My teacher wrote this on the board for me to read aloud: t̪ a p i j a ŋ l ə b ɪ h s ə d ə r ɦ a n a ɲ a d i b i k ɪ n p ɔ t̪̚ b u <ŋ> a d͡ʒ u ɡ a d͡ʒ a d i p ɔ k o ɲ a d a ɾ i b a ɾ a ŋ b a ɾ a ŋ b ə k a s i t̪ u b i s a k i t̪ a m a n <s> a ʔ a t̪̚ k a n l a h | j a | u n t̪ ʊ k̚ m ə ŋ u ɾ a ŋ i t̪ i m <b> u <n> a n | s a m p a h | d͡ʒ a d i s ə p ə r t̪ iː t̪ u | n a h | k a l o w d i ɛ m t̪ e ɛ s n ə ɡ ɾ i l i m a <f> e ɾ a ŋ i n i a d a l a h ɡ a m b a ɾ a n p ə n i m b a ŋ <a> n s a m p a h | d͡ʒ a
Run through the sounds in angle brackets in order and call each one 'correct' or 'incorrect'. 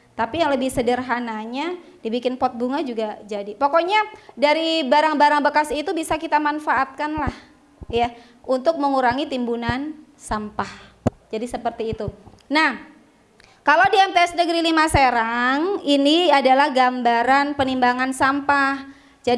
correct, incorrect: f, correct, correct, incorrect: s, correct

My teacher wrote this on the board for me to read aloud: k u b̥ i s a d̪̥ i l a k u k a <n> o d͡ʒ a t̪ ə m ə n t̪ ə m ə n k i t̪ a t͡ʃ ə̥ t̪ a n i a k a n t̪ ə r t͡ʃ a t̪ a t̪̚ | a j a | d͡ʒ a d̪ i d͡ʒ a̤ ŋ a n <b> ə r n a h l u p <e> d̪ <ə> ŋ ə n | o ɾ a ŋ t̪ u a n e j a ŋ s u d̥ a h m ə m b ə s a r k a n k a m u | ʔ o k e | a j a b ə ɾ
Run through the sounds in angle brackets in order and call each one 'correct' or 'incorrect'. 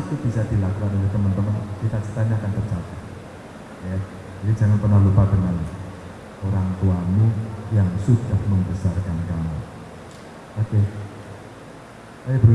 correct, incorrect: p, incorrect: a, correct

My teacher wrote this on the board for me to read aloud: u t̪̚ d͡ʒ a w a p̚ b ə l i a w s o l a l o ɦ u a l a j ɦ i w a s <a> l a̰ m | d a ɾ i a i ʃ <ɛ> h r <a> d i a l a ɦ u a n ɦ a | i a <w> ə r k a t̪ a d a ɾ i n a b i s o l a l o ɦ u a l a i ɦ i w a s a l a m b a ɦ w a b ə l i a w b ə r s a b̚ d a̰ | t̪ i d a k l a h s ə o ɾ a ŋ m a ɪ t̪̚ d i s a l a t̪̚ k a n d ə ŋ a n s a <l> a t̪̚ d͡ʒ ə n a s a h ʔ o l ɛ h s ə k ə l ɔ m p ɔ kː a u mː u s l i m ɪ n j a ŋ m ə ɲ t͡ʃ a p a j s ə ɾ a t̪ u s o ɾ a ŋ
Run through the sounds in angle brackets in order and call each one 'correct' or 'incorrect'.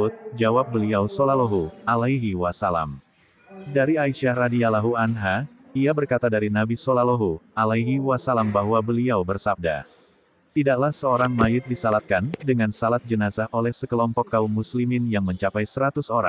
correct, incorrect: a, correct, incorrect: b, correct

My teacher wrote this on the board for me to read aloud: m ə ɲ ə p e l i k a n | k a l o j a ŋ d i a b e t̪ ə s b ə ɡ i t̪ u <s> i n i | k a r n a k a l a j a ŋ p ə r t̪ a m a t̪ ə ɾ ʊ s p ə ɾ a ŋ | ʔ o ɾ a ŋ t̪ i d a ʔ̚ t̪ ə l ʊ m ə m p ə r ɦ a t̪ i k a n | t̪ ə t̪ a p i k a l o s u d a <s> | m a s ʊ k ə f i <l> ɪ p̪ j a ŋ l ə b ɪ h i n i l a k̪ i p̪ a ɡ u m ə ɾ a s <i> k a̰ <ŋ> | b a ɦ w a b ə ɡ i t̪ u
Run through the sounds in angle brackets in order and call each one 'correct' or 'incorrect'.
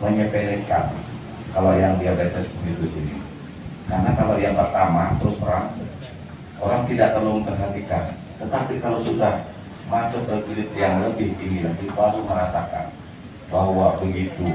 correct, incorrect: h, correct, incorrect: a, incorrect: n

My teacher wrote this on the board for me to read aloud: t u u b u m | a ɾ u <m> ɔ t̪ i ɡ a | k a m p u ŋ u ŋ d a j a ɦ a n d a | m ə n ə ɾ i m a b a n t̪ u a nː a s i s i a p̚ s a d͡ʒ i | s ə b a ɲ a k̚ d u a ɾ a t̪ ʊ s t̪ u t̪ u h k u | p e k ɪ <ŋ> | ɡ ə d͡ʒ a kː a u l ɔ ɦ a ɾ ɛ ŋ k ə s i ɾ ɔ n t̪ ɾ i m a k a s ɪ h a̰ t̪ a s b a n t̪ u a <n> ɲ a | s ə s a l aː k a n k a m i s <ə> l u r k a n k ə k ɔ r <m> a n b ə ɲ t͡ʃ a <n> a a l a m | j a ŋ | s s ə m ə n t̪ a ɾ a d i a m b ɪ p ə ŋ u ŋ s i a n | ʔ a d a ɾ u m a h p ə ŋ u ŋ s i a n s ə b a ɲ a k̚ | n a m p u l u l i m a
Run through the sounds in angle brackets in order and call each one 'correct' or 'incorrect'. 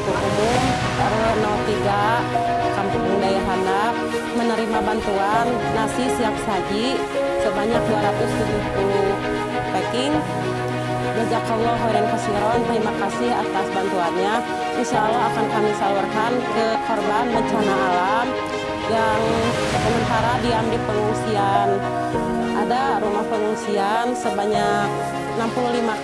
incorrect: n, correct, correct, incorrect: a, incorrect: b, correct

